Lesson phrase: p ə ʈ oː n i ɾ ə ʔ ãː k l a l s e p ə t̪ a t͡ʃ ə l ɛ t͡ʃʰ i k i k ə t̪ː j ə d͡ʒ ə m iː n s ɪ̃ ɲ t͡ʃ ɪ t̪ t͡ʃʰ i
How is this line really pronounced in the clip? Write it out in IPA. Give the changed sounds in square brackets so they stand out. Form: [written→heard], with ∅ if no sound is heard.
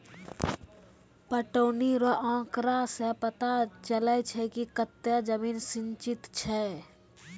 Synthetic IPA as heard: p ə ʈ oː n i ɾ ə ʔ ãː k [l→ɾ] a [l→∅] s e p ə t̪ a t͡ʃ ə l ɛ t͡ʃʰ [i→ɛ] k i k ə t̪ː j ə d͡ʒ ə m iː n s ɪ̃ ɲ t͡ʃ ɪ t̪ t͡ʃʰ [i→ɛ]